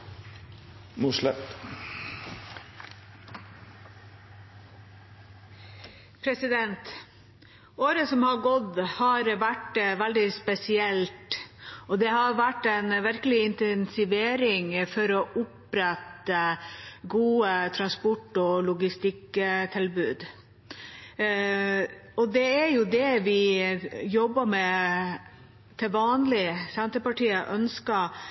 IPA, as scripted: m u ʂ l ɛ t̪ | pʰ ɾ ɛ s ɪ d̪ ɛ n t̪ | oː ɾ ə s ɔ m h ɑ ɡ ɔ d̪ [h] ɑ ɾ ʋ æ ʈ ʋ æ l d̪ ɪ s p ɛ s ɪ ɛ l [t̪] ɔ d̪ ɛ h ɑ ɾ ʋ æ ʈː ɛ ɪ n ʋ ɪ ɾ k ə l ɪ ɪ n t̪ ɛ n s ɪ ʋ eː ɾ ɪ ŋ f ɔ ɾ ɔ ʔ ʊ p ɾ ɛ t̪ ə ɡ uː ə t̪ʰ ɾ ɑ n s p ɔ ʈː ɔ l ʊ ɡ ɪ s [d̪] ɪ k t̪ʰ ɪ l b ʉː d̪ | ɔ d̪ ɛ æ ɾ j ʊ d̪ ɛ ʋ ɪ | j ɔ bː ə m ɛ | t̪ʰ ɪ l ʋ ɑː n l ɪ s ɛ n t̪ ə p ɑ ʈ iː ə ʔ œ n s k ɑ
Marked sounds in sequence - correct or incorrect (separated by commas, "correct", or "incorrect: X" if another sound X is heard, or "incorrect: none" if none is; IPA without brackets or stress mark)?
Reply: correct, correct, incorrect: t̪